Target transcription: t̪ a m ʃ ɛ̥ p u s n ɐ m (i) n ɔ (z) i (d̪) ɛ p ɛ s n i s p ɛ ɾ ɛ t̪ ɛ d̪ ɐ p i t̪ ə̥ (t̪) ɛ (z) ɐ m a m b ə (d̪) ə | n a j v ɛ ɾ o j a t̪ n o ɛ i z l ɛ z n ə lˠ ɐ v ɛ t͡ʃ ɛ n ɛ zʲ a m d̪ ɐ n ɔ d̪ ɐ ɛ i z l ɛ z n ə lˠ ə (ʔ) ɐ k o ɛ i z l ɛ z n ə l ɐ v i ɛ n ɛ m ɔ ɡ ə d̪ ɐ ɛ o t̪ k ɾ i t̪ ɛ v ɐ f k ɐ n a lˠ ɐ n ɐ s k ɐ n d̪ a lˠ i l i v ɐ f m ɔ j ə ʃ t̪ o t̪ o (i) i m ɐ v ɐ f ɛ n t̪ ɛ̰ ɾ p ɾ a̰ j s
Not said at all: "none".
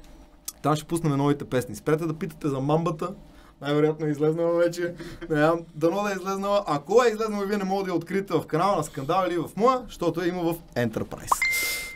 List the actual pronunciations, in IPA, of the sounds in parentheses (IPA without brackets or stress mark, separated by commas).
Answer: ɛ, v, t̪, t̪, z, t̪, ʔ, ɛ